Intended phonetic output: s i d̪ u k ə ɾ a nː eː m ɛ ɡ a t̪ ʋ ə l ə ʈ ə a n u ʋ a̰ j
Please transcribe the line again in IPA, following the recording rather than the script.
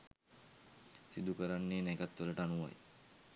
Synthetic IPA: s i d̪ u k ə ɾ a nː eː n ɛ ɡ a t̪ ʋ ə l ə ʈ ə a n u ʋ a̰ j